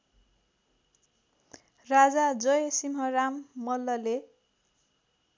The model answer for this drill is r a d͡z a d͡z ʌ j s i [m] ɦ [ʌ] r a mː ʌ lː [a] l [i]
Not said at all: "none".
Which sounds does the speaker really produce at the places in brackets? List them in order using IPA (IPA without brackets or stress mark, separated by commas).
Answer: m, ʌ, ʌ, e